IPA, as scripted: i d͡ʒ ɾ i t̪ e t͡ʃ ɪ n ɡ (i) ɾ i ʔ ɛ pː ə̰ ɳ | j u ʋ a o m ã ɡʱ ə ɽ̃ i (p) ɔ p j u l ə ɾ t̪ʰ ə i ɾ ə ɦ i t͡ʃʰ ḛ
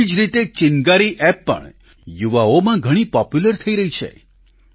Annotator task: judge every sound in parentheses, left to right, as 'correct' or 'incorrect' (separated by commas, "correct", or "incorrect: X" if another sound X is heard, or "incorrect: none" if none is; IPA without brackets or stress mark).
incorrect: a, correct